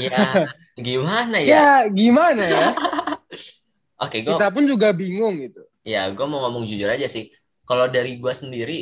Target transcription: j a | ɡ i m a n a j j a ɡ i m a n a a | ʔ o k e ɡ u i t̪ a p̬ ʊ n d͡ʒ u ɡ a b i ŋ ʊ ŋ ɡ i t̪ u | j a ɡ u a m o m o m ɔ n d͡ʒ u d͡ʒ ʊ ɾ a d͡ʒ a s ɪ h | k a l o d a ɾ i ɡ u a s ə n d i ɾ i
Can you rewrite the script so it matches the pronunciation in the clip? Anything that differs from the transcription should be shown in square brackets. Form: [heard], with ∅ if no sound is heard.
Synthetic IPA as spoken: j a | ɡ i m a n a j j a ɡ i m a n a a | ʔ o k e ɡ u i t̪ a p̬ ʊ n d͡ʒ u ɡ a b i ŋ ʊ ŋ ɡ i t̪ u | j a ɡ u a m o [ŋ] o m ɔ [ŋ] d͡ʒ u d͡ʒ ʊ ɾ a d͡ʒ a s ɪ h | k a l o d a ɾ i ɡ u a s ə n d i ɾ i